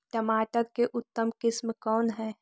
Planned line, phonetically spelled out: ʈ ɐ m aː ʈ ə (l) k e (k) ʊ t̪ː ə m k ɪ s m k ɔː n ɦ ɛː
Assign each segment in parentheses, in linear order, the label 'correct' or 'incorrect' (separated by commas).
incorrect, incorrect